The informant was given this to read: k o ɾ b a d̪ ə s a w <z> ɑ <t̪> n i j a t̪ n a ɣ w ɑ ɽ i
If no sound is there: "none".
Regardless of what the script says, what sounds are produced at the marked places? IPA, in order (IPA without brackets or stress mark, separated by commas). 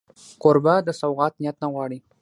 ɣ, t̪